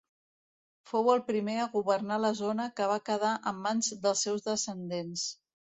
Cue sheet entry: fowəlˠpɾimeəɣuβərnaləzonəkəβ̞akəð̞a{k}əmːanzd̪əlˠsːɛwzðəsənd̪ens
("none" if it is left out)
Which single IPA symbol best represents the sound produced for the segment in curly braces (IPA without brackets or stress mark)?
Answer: ʔ